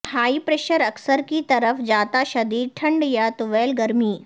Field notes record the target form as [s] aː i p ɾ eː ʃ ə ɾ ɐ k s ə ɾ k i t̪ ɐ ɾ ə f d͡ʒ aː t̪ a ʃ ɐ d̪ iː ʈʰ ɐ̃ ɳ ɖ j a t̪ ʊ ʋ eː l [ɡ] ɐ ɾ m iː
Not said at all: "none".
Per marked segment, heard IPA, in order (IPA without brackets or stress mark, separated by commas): h, ɡ